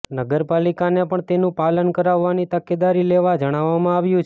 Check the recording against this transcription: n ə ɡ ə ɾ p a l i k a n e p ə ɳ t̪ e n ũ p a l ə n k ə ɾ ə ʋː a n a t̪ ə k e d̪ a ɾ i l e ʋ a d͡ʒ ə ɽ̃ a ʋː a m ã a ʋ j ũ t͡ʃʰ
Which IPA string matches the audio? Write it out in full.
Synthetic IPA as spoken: n ə ɡ ə ɾ p a l i k a n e p ə ɳ t̪ e n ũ p a l ə n k ə ɾ a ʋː a n i t̪ ə k e d̪ a ɾ i l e ʋ a d͡ʒ ə ɽ̃ a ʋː a m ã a ʋ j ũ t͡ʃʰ